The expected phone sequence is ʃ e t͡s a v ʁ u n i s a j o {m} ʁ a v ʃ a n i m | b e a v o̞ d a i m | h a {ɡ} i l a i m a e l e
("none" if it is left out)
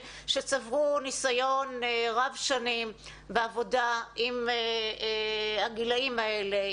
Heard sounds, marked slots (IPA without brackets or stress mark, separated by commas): n, ɡ